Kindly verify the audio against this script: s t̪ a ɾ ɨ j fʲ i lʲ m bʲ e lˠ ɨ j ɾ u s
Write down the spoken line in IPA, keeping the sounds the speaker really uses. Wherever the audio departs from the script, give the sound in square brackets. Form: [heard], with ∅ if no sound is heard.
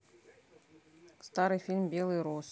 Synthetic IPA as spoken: s t̪ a ɾ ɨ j fʲ i lʲ m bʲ e lˠ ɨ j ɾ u s